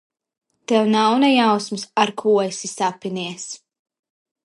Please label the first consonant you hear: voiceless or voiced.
voiceless